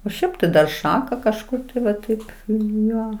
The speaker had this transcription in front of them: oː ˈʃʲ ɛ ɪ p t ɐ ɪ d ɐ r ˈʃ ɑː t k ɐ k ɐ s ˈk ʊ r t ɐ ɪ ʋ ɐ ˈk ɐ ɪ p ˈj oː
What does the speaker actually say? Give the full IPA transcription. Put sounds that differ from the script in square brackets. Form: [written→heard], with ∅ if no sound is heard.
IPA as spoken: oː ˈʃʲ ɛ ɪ p t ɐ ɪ d ɐ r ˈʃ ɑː [t→∅] k ɐ k ɐ [s→ʃ] ˈk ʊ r t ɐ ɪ ʋ ɐ [ˈk→ˈt] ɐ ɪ p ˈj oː